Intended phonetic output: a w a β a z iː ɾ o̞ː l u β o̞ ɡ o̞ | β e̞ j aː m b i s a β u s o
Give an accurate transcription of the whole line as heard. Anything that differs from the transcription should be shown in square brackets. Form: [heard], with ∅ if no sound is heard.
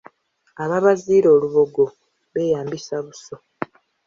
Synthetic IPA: a [β] a β a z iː ɾ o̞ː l u β o̞ ɡ o̞ | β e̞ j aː m b i s a β u s o